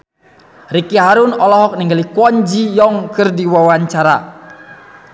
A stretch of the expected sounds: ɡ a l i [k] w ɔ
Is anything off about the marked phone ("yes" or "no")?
no